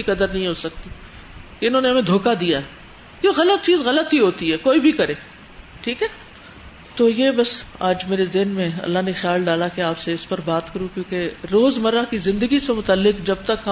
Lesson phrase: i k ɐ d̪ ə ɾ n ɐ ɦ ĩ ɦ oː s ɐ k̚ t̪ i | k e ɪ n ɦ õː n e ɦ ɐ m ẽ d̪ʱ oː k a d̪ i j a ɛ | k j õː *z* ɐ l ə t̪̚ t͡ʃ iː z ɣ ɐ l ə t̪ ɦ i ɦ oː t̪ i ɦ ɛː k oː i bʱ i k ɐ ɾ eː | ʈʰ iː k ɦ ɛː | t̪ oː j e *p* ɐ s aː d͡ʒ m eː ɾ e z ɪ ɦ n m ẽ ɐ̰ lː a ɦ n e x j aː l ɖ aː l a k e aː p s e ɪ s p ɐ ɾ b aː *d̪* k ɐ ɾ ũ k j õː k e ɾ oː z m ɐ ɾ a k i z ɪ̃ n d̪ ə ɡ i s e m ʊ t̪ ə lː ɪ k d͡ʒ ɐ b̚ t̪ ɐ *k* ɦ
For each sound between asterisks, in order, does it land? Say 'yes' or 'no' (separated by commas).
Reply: no, no, no, yes